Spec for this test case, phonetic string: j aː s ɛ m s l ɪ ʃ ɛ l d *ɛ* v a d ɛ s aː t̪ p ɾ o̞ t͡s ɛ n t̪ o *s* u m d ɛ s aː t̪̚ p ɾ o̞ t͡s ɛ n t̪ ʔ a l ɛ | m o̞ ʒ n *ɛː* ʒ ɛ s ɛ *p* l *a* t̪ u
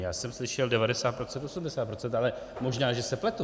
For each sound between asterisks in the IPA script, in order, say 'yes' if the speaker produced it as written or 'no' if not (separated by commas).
yes, yes, no, yes, no